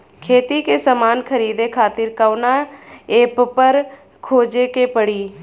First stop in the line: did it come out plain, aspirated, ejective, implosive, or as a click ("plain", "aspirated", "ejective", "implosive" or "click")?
aspirated